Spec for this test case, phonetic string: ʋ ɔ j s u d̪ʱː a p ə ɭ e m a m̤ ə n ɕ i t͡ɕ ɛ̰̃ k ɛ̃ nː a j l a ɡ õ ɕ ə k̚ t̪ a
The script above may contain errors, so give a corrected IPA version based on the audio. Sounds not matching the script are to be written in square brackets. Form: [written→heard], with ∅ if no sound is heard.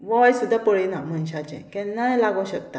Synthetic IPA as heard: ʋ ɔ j s u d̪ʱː a p ə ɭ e [m→n] a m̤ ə n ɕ [i→a] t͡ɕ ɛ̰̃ k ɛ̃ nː a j l a ɡ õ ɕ ə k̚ t̪ a